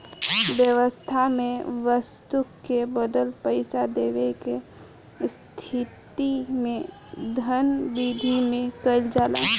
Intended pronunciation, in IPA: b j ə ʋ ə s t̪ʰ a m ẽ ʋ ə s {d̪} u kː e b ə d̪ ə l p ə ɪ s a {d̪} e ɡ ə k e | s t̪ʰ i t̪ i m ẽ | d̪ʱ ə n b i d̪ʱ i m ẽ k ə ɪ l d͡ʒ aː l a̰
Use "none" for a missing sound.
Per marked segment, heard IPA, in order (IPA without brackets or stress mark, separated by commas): t̪, d̪